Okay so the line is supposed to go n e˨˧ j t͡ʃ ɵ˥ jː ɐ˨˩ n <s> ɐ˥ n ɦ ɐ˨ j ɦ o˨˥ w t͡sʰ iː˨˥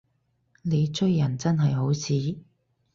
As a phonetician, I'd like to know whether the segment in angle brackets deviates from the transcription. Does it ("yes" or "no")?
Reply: yes